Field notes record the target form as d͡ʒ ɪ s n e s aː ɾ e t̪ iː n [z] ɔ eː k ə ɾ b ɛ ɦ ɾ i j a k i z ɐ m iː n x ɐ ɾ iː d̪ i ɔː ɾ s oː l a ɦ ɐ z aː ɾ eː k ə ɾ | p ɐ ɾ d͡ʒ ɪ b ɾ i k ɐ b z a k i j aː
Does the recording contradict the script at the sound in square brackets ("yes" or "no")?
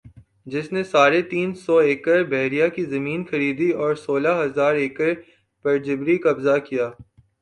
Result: yes